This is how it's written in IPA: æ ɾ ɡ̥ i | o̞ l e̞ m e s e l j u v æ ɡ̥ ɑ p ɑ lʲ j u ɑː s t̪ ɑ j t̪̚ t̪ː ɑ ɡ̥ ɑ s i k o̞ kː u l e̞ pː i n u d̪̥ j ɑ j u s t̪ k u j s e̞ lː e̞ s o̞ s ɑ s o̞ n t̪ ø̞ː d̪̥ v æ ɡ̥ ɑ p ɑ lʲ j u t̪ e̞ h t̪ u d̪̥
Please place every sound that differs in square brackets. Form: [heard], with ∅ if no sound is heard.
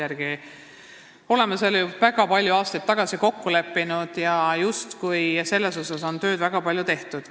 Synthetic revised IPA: æ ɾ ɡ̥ i | o̞ l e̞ m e s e l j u v æ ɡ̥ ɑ p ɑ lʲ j u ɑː s t̪ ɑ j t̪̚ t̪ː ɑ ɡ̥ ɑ s i k o̞ kː u l e̞ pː i n u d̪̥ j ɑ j u s t̪ k u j s e̞ lː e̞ s o̞ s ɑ s o̞ n t̪ ø̞ː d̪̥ v æ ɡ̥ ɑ p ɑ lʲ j u t̪ e̞ h t̪ u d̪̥

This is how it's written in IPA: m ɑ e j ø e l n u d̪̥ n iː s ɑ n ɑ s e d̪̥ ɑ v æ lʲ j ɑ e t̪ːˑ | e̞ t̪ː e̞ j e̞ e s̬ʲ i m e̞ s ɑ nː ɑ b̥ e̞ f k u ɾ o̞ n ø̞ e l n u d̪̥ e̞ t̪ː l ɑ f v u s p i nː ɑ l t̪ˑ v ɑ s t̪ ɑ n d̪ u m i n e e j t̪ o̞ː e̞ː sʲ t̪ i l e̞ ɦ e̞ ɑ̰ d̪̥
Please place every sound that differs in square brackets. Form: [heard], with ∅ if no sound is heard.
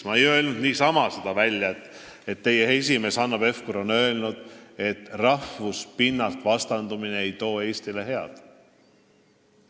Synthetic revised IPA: m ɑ e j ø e l n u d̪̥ n iː s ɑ [m] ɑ s e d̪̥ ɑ v æ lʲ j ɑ e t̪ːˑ | e̞ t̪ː e̞ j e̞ e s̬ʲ i m e̞ s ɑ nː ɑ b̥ e̞ f k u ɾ o̞ n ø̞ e l n u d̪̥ e̞ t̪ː [r] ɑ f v u s p i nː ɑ l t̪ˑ v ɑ s t̪ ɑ n d̪ u m i n e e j t̪ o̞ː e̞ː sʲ t̪ i l e̞ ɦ e̞ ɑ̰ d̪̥

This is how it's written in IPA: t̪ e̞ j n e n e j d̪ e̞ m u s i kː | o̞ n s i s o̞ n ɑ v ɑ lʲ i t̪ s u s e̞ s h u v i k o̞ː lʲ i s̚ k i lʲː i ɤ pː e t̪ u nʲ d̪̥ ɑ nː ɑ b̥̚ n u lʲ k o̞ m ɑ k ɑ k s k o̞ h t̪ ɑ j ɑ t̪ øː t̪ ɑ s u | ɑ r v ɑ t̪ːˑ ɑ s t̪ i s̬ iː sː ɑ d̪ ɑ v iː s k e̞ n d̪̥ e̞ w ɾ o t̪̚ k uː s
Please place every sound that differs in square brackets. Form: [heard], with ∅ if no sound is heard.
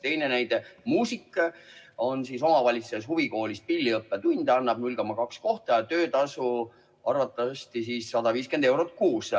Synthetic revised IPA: t̪ e̞ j n e n [æ] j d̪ e̞ m [uː] s i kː | o̞ n s i s o̞ [m] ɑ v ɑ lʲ i t̪ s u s e̞ s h u v i k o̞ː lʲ i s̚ [p] i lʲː i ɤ pː e t̪ u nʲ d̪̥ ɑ nː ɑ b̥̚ n u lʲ k o̞ m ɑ k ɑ k s k o̞ h t̪ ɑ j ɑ t̪ øː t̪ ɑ s u | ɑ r v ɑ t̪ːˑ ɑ s t̪ i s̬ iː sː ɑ d̪ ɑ v iː s k e̞ n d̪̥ e̞ w ɾ o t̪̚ k uː s

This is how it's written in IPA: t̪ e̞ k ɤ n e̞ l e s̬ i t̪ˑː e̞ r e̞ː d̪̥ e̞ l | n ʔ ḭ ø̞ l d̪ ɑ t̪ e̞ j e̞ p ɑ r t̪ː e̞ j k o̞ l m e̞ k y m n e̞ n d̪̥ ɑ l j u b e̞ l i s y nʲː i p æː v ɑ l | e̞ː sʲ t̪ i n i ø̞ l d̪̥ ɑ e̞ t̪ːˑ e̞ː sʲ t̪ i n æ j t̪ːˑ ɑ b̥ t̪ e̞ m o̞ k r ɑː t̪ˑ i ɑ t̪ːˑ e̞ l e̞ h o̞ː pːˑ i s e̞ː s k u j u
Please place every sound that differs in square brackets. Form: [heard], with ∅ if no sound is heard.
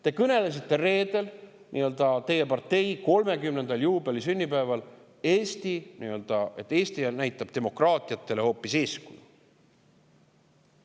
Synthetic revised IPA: t̪ e̞ k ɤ n e̞ l e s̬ i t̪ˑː e̞ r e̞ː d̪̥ e̞ l | n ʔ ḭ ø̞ l d̪ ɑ t̪ e̞ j e̞ p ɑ r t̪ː e̞ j k o̞ l m e̞ k y m n e̞ n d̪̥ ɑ l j [uː] b e̞ l i s y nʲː i p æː v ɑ l | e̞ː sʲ t̪ i n i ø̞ l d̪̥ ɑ e̞ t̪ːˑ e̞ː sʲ t̪ i n æ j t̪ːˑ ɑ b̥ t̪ e̞ m o̞ k r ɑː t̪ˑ i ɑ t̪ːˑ e̞ l e̞ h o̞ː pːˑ i s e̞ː s k u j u

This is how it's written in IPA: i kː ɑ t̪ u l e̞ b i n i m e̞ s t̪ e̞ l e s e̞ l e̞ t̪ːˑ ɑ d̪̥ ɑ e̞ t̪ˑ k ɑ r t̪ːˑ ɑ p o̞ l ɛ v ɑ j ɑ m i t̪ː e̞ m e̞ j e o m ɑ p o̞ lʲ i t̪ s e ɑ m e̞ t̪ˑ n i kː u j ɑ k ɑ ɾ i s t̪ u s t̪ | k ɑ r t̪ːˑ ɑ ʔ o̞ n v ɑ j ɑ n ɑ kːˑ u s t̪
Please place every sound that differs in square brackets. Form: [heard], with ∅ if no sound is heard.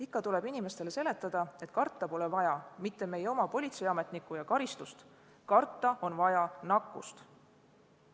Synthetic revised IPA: i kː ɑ t̪ u l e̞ b i n i m e̞ s t̪ e̞ l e s e̞ l e̞ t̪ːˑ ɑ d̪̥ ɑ e̞ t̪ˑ k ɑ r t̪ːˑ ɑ p o̞ l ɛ v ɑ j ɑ m i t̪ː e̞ m e̞ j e o m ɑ p o̞ lʲ i t̪ s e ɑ m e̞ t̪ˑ n i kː u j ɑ k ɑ ɾ i s t̪ u s t̪ | k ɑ r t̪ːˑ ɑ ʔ o̞ n v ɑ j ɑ n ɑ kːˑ u s t̪

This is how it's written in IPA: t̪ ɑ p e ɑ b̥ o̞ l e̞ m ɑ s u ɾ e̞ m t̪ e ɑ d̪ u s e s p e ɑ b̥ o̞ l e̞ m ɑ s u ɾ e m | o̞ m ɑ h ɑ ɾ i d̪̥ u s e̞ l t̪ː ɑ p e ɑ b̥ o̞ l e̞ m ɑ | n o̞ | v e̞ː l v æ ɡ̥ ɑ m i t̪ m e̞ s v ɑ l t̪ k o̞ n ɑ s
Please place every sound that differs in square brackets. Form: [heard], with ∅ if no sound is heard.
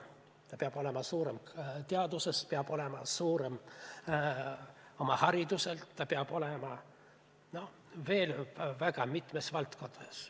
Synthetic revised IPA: t̪ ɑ p e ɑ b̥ o̞ l e̞ m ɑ s [uː] ɾ e̞ m t̪ e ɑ d̪ u s e s p e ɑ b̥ o̞ l e̞ m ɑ s [uː] ɾ e m | o̞ m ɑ h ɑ ɾ i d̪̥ u s e̞ l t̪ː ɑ p e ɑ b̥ o̞ l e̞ m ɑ | n o̞ | v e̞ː l v æ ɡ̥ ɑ m i t̪ m e̞ s v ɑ l t̪ k o̞ n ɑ s

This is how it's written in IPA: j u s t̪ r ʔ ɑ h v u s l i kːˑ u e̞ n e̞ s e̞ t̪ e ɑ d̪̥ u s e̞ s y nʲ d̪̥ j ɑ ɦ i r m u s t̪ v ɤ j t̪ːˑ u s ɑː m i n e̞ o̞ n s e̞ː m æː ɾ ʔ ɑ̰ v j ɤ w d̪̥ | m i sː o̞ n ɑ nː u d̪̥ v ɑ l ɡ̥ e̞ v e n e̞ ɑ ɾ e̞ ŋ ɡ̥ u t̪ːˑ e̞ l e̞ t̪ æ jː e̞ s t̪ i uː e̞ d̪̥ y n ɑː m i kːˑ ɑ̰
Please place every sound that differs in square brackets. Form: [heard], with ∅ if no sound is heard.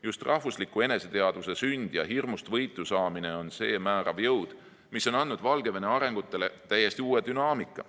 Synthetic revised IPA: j u s t̪ r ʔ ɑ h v u s l i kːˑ u e̞ n e̞ s e̞ t̪ e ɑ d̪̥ u s e̞ s y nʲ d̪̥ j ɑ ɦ i r m u s t̪ v ɤ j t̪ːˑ u s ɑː m i n e̞ o̞ n s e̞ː m æː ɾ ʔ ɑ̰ v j ɤ w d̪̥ | m i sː o̞ n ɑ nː u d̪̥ v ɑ l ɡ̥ e̞ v e n e̞ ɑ ɾ e̞ ŋ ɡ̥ u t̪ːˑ e̞ l e̞ t̪ æ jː e̞ s t̪ i uː e̞ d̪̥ y n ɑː m i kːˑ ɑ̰

